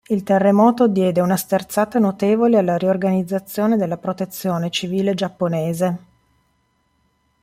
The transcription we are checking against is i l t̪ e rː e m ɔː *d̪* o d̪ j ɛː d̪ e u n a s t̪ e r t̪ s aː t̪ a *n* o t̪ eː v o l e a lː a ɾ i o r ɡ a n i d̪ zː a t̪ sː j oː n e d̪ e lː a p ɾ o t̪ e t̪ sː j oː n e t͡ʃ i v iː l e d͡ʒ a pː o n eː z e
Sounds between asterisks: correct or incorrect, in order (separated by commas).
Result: incorrect, correct